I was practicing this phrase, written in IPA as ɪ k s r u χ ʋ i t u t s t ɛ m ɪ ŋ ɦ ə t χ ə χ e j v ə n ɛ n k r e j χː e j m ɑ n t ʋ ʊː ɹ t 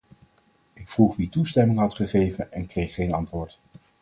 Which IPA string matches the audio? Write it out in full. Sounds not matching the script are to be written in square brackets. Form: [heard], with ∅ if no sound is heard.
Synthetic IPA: ɪ k [f] r u χ ʋ i t u [∅] s t ɛ m ɪ ŋ ɦ [ɑ] t χ ə χ e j v ə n ɛ n k r e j χː e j [n] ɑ n t ʋ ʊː ɹ t

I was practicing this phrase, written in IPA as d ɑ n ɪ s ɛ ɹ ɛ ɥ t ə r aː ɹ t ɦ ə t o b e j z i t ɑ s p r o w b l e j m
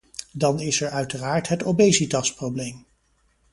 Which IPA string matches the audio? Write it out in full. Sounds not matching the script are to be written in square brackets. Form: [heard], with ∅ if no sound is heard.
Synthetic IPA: d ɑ n ɪ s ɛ ɹ [œ] ɥ t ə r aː ɹ t ɦ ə t o b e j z i t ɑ s p r o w b l e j m

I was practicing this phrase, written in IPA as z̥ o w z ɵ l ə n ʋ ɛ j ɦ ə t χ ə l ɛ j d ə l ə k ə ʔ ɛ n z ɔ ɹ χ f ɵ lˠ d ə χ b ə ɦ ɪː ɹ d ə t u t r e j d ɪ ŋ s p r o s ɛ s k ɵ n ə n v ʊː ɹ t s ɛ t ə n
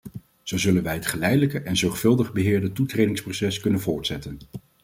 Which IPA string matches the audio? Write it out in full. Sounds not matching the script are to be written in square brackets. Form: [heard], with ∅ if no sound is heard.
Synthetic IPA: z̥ o w z ɵ l ə n ʋ ɛ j ɦ ə t χ ə l ɛ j d ə l ə k ə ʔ ɛ n z ɔ ɹ χ f ɵ lˠ d ə χ b ə ɦ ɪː ɹ d ə t u t r e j d ɪ ŋ s p r o s ɛ s k ɵ n ə n v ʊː ɹ t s ɛ t ə n

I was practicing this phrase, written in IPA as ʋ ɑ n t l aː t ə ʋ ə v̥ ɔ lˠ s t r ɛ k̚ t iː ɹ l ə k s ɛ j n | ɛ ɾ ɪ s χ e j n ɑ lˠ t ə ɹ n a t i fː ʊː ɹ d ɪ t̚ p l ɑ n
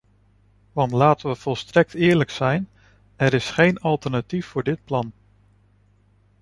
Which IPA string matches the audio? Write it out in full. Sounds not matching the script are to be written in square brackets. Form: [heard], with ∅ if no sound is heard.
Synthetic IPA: ʋ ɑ n t l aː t ə ʋ ə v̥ ɔ lˠ s t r ɛ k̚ t [ɪː] ɹ l ə k s ɛ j n | ɛ ɾ ɪ s χ e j n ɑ lˠ t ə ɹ n a t i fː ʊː ɹ d ɪ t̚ p l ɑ n

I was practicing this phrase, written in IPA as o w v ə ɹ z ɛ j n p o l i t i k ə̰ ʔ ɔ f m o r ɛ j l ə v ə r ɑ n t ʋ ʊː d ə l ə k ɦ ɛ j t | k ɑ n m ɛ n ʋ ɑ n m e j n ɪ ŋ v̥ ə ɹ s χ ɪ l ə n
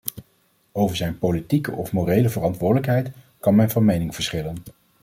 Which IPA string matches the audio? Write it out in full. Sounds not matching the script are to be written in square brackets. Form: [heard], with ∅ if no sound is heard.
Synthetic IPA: o w v ə ɹ z ɛ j n p o l i t i k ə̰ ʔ ɔ f m o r [e] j l ə v ə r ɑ n t ʋ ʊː d ə l ə k ɦ ɛ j t | k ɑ n m ɛ n [v] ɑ n m e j n ɪ ŋ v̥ ə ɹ s χ ɪ l ə n

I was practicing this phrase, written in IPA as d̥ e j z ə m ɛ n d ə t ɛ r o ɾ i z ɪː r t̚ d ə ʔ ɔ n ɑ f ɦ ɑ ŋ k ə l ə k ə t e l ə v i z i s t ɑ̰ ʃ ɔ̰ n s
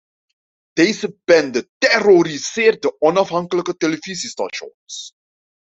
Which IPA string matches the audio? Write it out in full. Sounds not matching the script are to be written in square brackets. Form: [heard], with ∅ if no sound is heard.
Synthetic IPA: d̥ e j z ə [b] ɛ n d ə t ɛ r o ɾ i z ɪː r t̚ d ə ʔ ɔ n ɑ f ɦ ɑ ŋ k ə l ə k ə t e l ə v i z i s t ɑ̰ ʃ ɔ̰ n s

